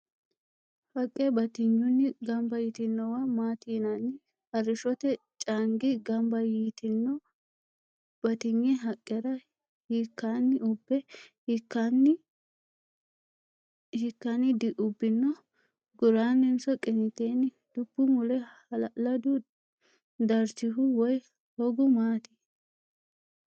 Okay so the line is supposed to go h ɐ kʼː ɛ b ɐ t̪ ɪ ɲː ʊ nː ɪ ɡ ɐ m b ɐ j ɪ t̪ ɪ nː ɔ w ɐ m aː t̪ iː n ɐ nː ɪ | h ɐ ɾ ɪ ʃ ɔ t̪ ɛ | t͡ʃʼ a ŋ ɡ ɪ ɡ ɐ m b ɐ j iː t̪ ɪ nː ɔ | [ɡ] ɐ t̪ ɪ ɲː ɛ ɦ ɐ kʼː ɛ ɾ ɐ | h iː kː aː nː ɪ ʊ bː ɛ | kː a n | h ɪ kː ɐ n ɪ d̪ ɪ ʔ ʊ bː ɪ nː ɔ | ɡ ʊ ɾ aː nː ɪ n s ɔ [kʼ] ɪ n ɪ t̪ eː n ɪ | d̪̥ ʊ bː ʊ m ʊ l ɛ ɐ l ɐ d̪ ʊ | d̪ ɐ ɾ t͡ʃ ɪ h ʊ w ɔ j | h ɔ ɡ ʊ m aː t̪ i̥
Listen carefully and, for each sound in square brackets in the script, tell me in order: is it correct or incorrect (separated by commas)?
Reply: incorrect, correct